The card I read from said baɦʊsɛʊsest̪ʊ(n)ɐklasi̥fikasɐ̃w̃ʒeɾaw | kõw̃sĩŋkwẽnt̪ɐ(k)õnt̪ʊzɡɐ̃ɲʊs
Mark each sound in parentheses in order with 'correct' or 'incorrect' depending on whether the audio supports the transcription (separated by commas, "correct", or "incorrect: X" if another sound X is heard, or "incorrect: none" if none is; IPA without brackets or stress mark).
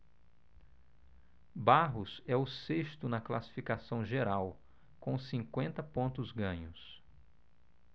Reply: correct, incorrect: p